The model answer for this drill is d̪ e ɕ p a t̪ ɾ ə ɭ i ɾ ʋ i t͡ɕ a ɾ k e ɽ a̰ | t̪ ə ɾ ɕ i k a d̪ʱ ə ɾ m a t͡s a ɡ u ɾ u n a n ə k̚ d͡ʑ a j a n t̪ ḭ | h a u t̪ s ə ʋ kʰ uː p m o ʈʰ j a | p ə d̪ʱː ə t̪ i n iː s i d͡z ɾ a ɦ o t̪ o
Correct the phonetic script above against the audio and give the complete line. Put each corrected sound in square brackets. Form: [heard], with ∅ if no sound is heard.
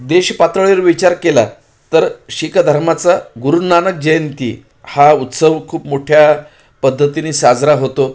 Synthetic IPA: d̪ e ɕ p a t̪ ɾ ə ɭ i ɾ ʋ i t͡ɕ a ɾ k e [l] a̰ | t̪ ə ɾ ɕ i k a d̪ʱ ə ɾ m a t͡s a ɡ u ɾ u n a n ə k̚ d͡ʑ [ə] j [ə] n t̪ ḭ | h a u t̪ s ə ʋ kʰ uː p m o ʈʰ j a | p ə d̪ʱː ə t̪ i n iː s [a] d͡z ɾ a ɦ o t̪ o

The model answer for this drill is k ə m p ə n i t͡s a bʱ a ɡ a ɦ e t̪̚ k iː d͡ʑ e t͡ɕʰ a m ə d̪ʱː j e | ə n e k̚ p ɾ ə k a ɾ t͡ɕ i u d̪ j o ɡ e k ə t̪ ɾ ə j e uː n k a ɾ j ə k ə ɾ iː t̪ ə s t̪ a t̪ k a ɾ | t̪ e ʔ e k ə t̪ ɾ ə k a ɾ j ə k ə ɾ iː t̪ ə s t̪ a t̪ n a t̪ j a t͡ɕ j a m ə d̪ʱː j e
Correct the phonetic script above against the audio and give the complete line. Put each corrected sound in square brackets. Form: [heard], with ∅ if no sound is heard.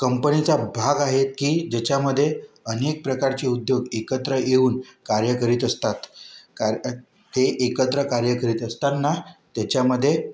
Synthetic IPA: k ə m p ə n i t͡s a bʱ a ɡ a ɦ e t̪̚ k iː d͡ʑ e [t͡ɕ] a m ə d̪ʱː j e | ə n e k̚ p ɾ ə k a ɾ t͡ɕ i u d̪ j o ɡ e k ə t̪ ɾ ə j e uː n k a ɾ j ə k ə ɾ iː t̪ ə s t̪ a t̪ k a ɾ | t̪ e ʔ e k ə t̪ ɾ ə k a ɾ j ə k ə ɾ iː t̪ ə s t̪ a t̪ n a t̪ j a t͡ɕ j a m ə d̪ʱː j e

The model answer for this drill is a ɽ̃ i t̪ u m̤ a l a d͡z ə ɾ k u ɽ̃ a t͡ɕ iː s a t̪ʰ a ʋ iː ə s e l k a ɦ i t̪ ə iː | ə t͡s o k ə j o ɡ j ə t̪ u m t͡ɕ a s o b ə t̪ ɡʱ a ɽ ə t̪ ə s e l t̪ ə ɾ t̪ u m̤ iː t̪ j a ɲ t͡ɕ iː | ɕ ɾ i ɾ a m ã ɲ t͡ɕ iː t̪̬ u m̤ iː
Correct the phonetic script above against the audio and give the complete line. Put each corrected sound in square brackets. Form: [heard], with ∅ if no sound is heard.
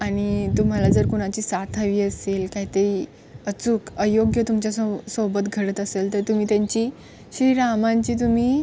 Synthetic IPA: a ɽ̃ i t̪ u m̤ a l a d͡z ə ɾ k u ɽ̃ a t͡ɕ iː s a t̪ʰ a ʋ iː ə s e l k a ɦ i t̪ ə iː | ə t͡s [u] k ə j o ɡ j ə t̪ u m t͡ɕ a s o b ə t̪ ɡʱ [ə] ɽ ə t̪ ə s e l t̪ ə ɾ t̪ u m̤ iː t̪ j a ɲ t͡ɕ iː | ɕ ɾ i ɾ a m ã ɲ t͡ɕ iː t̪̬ u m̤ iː

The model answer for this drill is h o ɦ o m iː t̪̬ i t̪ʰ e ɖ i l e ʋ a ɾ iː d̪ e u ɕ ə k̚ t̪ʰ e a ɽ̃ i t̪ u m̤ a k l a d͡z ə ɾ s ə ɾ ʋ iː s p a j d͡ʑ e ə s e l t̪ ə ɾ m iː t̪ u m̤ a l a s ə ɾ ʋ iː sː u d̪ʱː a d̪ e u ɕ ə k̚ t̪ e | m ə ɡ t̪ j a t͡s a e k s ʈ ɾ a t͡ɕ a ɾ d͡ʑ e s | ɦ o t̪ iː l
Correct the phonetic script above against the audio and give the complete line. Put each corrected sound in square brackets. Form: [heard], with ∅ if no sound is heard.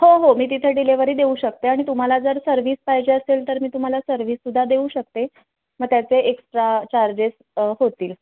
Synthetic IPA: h o ɦ o m iː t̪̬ i t̪ʰ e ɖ i l e ʋ [ə] ɾ iː d̪ e u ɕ ə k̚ [t̪] e a ɽ̃ i t̪ u m̤ a [∅] l a d͡z ə ɾ s ə ɾ ʋ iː s p a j d͡ʑ e ə s e l t̪ ə ɾ m iː t̪ u m̤ a l a s ə ɾ ʋ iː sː u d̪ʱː a d̪ e u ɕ ə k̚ t̪ e | m ə ɡ t̪ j a t͡s [e] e k s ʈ ɾ a t͡ɕ a ɾ d͡ʑ e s | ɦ o t̪ iː l

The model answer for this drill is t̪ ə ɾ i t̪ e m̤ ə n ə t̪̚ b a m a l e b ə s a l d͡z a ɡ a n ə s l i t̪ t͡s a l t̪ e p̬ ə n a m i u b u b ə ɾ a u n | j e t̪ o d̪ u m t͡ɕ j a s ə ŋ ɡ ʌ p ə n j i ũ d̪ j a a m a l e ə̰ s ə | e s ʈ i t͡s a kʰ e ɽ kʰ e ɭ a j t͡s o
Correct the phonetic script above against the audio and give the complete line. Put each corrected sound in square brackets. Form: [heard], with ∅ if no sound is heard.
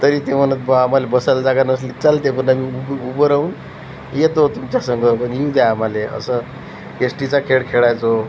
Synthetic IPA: t̪ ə ɾ i t̪ e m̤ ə n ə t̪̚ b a m a l e b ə s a l d͡z a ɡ a n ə s l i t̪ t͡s a l t̪ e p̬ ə n a m i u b u b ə ɾ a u n | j e t̪ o [t̪] u m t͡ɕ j a s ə ŋ ɡ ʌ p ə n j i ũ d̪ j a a m a l e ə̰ s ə | e s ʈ i t͡s a kʰ e ɽ kʰ e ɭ a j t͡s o

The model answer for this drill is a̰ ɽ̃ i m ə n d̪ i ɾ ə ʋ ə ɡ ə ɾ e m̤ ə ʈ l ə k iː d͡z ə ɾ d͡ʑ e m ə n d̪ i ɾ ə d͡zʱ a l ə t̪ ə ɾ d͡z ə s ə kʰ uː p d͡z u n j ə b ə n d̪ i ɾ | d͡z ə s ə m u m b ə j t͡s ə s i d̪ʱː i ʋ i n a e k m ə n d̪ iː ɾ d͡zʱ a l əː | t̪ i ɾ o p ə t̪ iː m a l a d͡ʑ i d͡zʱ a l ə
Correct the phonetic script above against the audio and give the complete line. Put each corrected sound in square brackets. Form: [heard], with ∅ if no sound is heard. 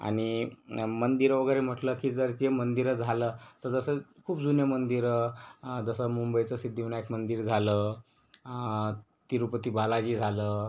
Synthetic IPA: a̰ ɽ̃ i m ə n d̪ i ɾ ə ʋ ə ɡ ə ɾ e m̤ ə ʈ l ə k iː d͡z ə ɾ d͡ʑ e m ə n d̪ i ɾ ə d͡zʱ a l ə t̪ ə ɾ d͡z ə s ə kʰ uː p d͡z u n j ə [m] ə n d̪ i ɾ | d͡z ə s ə m u m b ə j t͡s ə s i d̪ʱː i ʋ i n a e k m ə n d̪ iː ɾ d͡zʱ a l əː | t̪ i ɾ [u] p ə t̪ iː [b] a l a d͡ʑ i d͡zʱ a l ə

